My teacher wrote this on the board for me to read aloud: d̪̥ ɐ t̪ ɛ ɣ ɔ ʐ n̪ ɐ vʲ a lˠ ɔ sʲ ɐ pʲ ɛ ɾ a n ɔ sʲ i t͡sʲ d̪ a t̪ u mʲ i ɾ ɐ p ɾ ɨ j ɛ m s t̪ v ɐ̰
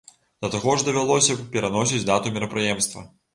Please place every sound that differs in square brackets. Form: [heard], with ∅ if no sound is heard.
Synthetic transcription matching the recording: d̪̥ ɐ t̪ [a] ɣ ɔ ʐ [d̪] ɐ vʲ a lˠ ɔ sʲ ɐ pʲ ɛ ɾ a n ɔ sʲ i t͡sʲ d̪ a t̪ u mʲ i ɾ ɐ p ɾ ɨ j ɛ m s t̪ v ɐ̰